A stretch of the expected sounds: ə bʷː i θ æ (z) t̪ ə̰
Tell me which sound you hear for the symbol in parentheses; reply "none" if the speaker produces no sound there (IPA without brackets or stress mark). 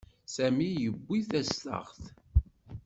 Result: s